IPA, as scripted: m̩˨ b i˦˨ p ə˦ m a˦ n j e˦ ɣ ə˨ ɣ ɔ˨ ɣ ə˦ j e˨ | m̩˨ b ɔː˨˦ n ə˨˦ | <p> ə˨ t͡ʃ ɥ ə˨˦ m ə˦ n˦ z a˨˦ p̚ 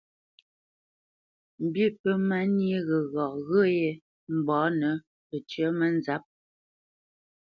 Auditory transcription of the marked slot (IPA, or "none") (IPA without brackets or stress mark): p